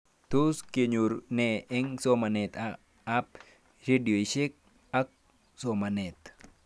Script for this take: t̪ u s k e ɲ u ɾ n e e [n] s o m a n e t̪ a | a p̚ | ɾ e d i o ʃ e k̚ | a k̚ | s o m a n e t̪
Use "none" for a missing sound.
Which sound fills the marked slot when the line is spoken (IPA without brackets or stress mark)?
ŋ